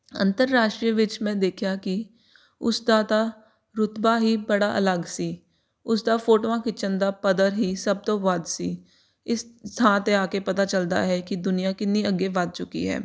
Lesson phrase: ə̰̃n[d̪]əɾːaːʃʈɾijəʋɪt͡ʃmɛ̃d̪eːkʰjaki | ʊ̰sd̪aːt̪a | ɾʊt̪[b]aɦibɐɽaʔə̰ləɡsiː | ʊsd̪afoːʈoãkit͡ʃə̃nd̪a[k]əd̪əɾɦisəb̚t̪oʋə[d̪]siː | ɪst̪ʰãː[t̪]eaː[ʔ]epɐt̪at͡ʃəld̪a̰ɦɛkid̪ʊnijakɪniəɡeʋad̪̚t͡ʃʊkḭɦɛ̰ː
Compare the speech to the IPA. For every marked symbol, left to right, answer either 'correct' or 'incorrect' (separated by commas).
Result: incorrect, correct, incorrect, correct, correct, incorrect